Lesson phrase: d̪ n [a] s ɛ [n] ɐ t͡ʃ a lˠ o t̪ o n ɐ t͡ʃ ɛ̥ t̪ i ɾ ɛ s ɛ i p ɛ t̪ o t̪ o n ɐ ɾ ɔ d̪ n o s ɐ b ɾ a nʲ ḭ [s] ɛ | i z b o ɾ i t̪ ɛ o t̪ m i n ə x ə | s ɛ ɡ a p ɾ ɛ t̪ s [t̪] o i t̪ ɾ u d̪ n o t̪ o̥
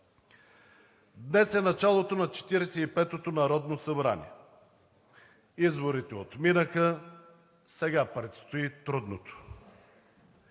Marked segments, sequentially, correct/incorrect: incorrect, correct, incorrect, correct

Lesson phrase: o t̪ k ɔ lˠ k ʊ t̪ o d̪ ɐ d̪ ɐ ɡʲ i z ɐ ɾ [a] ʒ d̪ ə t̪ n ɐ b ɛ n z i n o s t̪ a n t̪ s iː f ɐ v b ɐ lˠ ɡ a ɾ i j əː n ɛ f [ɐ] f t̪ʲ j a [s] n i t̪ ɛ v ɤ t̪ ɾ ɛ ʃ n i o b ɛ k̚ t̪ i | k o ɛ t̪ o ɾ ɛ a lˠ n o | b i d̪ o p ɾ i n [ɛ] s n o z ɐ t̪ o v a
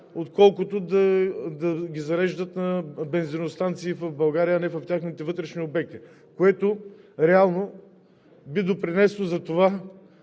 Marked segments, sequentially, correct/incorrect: incorrect, correct, incorrect, correct

